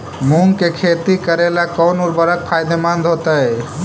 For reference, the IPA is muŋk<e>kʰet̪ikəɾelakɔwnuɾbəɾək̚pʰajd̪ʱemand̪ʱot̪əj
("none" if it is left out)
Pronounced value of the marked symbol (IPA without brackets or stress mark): e